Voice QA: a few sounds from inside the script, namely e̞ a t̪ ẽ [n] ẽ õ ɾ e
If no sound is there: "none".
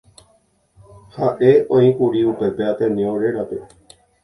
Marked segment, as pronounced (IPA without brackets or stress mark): n